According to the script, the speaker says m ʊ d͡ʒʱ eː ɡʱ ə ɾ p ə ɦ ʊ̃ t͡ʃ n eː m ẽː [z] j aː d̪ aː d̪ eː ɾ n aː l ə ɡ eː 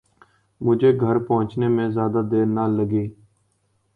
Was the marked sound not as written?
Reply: no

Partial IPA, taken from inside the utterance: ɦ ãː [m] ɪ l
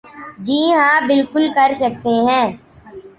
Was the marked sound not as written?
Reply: yes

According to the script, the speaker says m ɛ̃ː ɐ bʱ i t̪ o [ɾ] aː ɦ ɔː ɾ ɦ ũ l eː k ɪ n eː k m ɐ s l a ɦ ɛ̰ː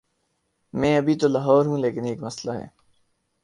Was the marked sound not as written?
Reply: yes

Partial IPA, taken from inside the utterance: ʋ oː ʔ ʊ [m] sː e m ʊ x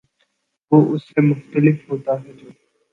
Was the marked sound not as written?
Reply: yes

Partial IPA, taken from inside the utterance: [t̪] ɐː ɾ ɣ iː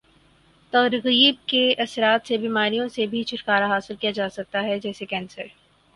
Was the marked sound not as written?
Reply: no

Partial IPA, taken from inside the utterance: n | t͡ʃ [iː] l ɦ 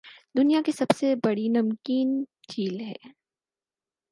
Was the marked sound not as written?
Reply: no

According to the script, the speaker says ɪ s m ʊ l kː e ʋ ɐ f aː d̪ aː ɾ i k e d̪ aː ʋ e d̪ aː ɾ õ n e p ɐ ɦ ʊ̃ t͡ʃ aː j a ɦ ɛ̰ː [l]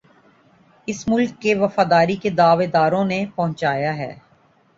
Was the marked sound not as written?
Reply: yes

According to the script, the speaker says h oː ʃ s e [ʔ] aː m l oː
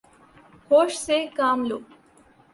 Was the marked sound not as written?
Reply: yes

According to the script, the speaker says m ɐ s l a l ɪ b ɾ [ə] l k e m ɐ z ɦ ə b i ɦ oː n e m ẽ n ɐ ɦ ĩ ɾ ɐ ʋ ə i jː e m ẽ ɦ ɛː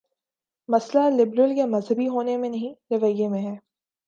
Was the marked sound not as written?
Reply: no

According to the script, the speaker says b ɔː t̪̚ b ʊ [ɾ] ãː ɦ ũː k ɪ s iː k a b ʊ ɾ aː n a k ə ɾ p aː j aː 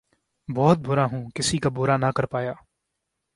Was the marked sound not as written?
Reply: no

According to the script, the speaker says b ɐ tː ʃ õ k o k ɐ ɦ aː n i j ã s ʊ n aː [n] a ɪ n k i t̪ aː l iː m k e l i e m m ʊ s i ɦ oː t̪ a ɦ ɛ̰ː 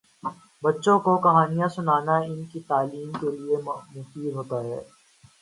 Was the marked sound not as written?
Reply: no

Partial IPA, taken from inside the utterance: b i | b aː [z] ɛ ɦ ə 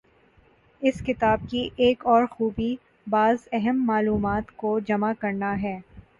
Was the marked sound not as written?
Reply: no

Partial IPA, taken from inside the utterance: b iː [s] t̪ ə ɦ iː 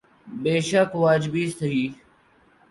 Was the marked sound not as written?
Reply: no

